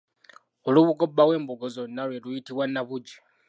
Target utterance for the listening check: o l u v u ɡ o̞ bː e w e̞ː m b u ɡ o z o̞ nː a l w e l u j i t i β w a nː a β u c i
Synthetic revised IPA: o l u β u ɡ o̞ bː a w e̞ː m b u ɡ o z o̞ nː a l w e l u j i t i β w a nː a β u ɟ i